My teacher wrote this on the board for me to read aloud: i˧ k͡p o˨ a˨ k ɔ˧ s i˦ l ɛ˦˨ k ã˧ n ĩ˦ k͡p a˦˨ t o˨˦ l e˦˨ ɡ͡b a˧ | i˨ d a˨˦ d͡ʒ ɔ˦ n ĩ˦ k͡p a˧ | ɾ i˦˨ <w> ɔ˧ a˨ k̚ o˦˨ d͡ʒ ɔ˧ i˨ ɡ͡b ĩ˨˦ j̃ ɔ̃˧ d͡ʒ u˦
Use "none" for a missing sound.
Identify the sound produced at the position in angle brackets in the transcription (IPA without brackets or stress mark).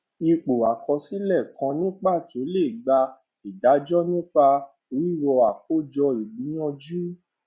w